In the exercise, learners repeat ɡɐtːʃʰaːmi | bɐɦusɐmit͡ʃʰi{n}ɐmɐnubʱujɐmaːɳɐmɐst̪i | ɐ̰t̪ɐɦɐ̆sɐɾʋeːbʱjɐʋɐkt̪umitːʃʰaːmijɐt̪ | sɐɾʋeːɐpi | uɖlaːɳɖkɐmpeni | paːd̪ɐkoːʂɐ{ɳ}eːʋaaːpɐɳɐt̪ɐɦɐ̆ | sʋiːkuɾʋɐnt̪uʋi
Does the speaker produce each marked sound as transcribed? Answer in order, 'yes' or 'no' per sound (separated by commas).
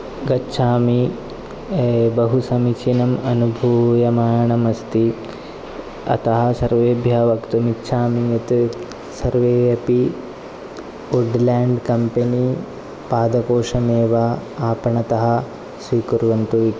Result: yes, no